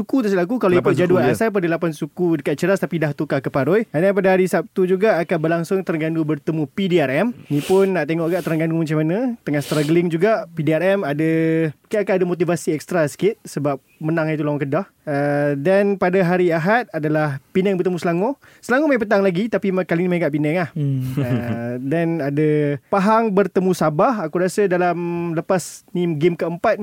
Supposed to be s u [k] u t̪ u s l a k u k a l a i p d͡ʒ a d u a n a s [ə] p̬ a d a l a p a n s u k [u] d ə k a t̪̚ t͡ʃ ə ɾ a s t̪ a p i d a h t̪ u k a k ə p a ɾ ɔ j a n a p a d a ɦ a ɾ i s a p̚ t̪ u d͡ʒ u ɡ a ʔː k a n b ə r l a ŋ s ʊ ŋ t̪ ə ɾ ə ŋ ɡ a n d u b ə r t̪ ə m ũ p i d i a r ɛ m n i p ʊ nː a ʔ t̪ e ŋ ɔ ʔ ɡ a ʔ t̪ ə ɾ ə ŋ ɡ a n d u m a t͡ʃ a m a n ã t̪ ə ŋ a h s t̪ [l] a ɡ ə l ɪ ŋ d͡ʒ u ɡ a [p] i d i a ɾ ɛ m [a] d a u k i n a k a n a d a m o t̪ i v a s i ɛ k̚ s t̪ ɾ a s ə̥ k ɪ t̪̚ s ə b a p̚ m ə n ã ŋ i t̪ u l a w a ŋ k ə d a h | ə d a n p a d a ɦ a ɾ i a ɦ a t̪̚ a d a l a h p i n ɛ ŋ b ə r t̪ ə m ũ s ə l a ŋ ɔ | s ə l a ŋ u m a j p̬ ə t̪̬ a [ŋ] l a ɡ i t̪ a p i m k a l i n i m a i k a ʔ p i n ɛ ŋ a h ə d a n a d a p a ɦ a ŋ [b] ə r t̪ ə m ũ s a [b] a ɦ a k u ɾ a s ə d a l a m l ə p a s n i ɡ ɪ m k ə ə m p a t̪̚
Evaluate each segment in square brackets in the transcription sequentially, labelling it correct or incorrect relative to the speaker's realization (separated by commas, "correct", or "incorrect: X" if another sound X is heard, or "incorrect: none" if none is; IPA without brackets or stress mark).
correct, incorrect: a, correct, incorrect: ɾ, correct, correct, correct, correct, correct